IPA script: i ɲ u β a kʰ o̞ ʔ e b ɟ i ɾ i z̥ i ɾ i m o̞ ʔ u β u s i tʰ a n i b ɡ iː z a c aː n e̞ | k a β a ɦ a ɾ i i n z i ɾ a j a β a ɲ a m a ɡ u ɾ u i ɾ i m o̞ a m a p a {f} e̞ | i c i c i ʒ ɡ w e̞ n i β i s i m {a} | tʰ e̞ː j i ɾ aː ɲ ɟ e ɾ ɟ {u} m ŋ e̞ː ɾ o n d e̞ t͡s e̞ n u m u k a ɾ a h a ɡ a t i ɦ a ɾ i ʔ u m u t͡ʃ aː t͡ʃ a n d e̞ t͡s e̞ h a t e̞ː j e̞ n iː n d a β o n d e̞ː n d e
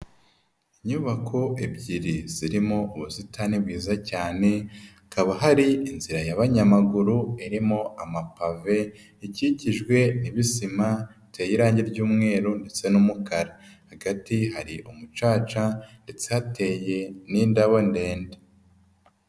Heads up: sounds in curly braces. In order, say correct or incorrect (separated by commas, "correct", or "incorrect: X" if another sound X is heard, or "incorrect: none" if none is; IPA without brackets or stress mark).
incorrect: v, correct, incorrect: uː